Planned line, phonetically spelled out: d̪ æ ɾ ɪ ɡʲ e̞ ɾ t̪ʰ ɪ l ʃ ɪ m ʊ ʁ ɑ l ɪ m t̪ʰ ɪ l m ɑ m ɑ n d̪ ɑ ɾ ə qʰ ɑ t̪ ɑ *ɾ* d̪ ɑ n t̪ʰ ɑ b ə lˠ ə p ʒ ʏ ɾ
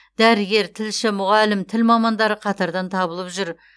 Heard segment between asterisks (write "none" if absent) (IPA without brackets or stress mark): ɾ